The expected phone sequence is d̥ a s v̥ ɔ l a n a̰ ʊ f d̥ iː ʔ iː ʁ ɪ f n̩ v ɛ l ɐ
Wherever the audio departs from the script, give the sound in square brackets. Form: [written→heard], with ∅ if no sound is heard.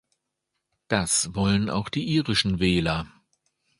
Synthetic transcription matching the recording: d̥ a s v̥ ɔ l [a→ə] n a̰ ʊ [f→x] d̥ iː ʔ iː ʁ ɪ [f→ʃ] n̩ v [ɛ→ɛː] l ɐ